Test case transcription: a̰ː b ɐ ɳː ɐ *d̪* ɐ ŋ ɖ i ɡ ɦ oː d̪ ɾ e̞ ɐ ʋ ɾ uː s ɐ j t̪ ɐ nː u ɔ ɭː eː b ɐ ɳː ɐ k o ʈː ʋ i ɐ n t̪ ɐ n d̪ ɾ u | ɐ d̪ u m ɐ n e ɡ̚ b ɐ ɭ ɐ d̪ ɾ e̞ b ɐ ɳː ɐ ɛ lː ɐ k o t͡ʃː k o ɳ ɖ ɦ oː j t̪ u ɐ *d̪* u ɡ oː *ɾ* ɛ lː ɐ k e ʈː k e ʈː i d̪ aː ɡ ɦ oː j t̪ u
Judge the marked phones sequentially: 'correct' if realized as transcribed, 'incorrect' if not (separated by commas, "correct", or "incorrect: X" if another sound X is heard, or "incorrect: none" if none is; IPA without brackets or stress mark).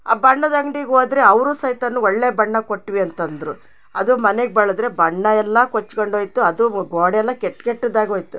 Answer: correct, correct, incorrect: ɽ